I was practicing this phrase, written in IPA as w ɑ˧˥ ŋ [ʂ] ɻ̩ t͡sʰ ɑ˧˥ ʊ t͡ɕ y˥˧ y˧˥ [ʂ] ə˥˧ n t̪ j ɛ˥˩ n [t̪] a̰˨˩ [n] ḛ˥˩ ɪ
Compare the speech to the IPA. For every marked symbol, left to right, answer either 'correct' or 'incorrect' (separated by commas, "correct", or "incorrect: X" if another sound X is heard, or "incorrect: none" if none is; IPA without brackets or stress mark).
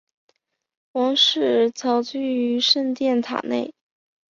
correct, correct, incorrect: t̪ʰ, correct